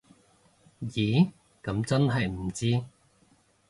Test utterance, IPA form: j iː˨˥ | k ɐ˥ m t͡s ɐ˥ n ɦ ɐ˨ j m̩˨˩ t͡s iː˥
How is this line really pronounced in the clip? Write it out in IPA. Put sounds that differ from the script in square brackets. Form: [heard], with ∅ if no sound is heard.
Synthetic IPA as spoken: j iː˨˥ | k [ɐ˨˥] m t͡s ɐ˥ n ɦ ɐ˨ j m̩˨˩ t͡s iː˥